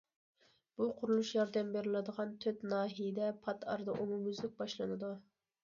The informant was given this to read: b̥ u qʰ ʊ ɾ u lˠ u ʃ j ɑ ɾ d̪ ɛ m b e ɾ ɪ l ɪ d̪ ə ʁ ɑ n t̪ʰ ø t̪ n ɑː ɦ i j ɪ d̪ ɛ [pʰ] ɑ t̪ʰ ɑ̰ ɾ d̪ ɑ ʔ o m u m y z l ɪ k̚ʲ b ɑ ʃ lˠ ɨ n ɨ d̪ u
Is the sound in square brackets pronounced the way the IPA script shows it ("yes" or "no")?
yes